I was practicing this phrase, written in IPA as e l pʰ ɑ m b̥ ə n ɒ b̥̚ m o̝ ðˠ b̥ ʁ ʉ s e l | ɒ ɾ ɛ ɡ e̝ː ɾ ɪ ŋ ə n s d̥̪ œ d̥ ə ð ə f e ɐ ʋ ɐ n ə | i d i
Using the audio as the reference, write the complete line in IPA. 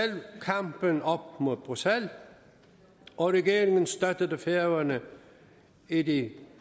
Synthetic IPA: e l kʰ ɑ m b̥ ə n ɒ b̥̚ m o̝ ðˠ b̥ ʁ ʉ s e l | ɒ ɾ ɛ ɡ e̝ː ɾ ɪ ŋ ə n s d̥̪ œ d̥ ə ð ə f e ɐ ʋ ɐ n ə | i d i

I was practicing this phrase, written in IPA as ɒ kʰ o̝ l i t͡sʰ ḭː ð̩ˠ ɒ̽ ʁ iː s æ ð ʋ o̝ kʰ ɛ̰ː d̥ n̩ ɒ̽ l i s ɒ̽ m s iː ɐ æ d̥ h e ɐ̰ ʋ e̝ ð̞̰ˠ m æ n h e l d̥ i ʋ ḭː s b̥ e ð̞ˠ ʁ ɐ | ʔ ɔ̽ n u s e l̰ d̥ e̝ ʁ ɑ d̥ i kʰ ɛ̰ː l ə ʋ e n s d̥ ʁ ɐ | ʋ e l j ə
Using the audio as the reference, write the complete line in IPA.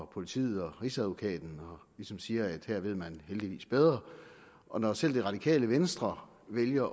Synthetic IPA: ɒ pʰ o̝ l i t͡sʰ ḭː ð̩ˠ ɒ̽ ʁ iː s æ ð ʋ o̝ kʰ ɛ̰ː d̥ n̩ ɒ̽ l i s ɒ̽ m s iː ɐ æ d̥ h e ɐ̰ ʋ e̝ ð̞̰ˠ m æ n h e l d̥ i ʋ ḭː s b̥ e ð̞ˠ ʁ ɐ | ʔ ɒ̽ n ɒ s e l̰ d̥ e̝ ʁ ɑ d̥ i kʰ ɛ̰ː l ə ʋ e n s d̥ ʁ ɐ | ʋ e l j ɐ

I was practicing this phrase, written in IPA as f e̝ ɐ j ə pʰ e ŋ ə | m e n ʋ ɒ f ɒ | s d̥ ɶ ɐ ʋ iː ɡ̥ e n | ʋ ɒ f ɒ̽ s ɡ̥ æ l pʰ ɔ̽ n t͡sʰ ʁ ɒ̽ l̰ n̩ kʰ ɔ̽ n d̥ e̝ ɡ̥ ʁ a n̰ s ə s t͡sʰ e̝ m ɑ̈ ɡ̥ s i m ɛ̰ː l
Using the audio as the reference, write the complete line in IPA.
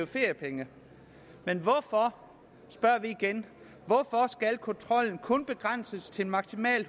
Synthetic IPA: f e̝ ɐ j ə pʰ e ŋ ə | m e n ʋ ɒ f ɒ | s b̥ ɶ ɐ ʋ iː ɡ̥ e n | ʋ ɒ f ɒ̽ s ɡ̥ æ l kʰ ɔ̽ n t͡sʰ ʁ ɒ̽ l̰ n̩ kʰ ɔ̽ n b̥ e̝ ɡ̥ ʁ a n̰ s ə s t͡sʰ e̝ m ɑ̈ ɡ̥ s i m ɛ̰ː l

